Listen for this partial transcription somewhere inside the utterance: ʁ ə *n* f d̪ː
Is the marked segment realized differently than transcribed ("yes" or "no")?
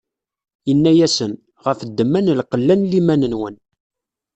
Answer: yes